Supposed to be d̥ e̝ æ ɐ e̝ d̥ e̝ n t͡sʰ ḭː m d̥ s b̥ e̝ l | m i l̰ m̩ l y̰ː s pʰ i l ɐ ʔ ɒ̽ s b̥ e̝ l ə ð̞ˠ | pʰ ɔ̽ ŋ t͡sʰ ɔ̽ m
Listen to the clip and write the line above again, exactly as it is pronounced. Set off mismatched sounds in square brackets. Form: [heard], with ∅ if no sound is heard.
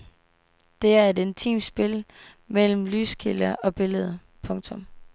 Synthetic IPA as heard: d̥ e̝ æ ɐ e̝ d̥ e̝ n t͡sʰ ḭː m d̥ s b̥ e̝ l | m [e] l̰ m̩ l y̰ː s [kʰ] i l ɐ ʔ ɒ̽ [∅] b̥ e̝ l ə ð̞ˠ | pʰ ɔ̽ ŋ t͡sʰ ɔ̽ m